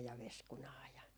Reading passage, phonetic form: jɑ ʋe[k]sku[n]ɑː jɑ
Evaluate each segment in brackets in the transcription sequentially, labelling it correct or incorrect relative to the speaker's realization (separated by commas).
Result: incorrect, correct